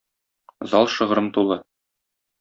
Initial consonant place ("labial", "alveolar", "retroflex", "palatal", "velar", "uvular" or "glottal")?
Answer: alveolar